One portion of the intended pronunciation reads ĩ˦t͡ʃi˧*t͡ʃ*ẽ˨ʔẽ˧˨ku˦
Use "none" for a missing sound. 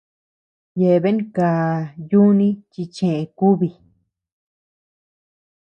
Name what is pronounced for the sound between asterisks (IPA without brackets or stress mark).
t͡ʃ